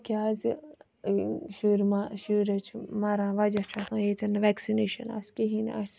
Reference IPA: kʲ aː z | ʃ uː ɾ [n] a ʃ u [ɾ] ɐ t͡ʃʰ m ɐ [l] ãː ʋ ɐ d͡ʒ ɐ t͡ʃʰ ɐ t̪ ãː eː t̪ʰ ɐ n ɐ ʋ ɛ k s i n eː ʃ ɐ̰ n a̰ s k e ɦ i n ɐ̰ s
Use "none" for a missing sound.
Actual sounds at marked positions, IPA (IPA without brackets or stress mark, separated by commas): m, ɾ, ɾ